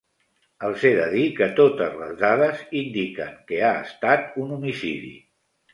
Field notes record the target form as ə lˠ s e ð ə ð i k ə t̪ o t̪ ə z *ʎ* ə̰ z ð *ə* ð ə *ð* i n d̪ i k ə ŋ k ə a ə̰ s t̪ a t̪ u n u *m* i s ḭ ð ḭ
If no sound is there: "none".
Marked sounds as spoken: l, a, z, m

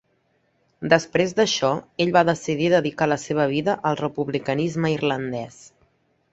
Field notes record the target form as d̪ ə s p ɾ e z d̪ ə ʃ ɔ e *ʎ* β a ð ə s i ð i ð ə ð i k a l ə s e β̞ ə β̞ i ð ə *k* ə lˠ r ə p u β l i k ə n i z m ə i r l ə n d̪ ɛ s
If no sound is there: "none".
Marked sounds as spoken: ʎ, ʔ

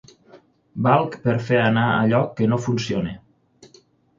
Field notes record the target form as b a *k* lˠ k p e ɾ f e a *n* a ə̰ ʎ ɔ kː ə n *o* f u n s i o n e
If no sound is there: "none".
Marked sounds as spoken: none, n, o

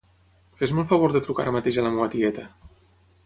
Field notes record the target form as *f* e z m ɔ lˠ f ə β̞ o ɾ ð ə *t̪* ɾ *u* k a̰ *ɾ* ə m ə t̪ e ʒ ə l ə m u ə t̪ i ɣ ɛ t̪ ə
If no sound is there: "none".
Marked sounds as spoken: f, t̪, u, ɾ

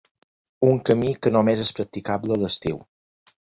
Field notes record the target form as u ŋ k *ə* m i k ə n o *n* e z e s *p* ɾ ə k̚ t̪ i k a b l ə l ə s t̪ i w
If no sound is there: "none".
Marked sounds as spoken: ə, m, p

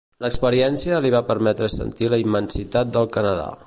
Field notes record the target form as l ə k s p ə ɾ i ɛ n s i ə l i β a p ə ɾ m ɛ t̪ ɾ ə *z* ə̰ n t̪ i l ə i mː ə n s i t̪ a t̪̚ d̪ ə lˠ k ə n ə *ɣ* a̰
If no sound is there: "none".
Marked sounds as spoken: s, ð

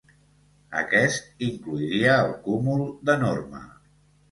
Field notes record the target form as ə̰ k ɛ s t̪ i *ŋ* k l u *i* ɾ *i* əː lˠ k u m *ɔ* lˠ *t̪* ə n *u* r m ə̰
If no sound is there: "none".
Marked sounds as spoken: ŋ, i, i, u, d̪, o

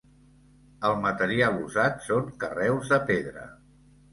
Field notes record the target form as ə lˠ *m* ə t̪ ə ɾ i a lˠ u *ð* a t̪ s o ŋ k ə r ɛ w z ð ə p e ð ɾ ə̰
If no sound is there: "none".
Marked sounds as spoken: m, z

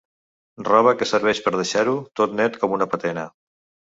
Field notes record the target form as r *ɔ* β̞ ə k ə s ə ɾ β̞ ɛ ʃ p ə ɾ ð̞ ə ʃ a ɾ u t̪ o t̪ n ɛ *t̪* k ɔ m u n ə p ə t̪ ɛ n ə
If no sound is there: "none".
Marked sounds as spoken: ɔ, t̪

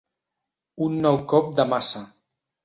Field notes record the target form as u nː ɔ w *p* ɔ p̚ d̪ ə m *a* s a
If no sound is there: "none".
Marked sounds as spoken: k, a

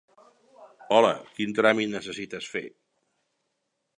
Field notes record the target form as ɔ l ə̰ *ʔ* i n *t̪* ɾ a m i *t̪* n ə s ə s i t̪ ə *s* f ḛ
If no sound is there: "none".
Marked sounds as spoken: k, t̪, t̪, s

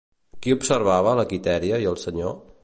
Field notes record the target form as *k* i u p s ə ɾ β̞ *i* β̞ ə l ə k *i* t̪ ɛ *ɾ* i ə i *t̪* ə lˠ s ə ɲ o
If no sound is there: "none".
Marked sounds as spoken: k, a, i, ɾ, none

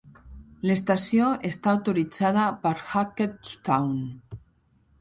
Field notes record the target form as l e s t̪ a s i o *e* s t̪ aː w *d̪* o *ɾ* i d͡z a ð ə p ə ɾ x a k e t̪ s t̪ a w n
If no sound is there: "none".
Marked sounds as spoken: e, t̪, ɾ

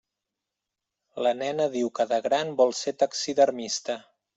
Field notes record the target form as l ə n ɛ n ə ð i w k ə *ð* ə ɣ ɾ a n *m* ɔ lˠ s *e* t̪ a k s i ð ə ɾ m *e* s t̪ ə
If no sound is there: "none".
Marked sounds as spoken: ð, b, e, i

